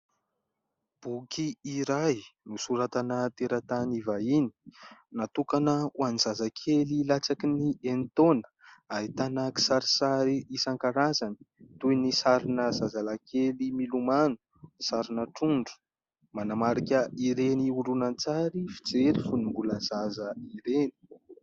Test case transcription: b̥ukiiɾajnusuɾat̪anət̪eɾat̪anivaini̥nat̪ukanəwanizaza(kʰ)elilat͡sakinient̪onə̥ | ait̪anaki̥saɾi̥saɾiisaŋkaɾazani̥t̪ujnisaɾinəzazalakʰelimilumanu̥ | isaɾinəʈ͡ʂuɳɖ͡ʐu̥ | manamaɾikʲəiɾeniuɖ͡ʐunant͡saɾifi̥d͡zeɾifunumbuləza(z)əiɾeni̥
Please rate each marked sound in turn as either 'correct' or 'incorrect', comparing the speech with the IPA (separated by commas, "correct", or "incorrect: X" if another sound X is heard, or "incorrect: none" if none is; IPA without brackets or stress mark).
correct, correct